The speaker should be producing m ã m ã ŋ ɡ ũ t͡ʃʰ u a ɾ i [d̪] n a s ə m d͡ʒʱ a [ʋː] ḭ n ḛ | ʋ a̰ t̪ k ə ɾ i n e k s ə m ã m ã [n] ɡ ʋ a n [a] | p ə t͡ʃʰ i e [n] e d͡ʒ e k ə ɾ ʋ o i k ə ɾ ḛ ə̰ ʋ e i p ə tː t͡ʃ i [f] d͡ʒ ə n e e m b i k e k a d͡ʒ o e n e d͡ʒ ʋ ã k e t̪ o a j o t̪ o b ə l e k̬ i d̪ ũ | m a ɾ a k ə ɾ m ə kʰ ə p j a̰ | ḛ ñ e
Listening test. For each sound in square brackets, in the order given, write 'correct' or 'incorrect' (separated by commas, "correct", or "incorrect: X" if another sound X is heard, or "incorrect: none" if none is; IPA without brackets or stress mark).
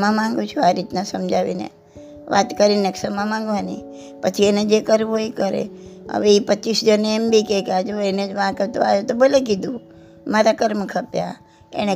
incorrect: t̪, incorrect: ʋ, incorrect: ŋ, incorrect: i, correct, incorrect: s